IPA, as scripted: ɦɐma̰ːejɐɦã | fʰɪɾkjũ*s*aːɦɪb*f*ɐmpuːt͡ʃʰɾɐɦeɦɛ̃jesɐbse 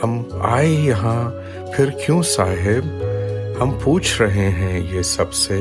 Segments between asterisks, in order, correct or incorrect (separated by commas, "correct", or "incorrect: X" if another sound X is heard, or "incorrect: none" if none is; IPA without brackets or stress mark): correct, incorrect: h